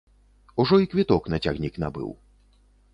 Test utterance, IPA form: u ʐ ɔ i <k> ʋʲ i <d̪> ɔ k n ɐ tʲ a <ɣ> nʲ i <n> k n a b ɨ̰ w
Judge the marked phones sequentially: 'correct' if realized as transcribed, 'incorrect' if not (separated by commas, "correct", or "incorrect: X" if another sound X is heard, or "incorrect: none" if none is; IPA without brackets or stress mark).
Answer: correct, incorrect: t̪, correct, incorrect: none